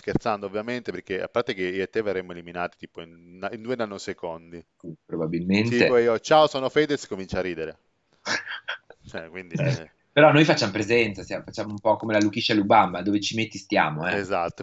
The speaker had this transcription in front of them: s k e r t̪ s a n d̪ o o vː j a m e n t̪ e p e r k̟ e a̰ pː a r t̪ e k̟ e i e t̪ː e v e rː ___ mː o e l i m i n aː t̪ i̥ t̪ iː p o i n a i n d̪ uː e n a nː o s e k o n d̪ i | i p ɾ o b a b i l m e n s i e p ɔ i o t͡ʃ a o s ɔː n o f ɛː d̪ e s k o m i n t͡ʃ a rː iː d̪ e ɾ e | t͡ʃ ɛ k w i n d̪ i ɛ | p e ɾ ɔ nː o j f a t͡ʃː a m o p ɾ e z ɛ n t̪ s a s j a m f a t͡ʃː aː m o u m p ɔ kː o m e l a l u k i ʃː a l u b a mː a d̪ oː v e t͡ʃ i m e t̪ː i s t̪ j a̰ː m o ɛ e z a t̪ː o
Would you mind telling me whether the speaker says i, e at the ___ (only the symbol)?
e